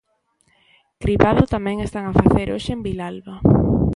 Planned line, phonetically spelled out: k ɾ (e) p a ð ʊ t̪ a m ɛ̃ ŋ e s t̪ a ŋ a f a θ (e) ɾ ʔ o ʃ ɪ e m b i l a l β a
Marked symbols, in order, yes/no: no, yes

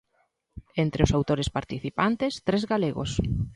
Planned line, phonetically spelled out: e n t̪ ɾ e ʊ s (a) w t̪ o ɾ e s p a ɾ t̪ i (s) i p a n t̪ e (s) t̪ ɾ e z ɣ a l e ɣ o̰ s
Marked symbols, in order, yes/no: yes, no, yes

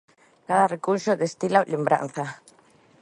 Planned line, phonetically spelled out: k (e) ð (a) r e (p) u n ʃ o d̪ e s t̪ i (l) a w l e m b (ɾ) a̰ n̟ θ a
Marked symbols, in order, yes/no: no, yes, no, yes, yes

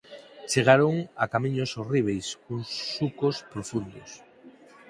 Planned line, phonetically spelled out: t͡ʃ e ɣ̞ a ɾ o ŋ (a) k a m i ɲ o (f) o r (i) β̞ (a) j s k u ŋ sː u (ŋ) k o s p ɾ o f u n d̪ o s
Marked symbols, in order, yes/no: yes, no, yes, no, no

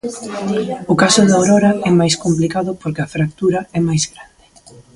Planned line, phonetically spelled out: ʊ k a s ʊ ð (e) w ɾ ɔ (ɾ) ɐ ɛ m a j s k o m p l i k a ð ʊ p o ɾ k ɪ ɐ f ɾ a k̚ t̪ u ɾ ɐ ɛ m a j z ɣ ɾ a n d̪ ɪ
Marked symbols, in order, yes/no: no, yes

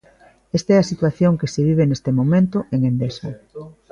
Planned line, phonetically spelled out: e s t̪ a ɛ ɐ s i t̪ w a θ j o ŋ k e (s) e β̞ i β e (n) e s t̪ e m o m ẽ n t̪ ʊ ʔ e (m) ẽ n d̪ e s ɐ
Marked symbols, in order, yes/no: yes, yes, no

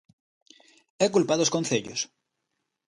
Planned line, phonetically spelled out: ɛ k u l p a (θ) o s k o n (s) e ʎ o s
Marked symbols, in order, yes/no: no, no

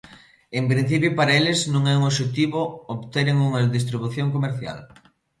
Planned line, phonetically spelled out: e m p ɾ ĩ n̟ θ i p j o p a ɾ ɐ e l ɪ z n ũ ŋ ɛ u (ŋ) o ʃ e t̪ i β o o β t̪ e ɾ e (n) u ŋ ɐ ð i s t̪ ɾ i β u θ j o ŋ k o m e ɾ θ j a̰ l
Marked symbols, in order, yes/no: yes, no

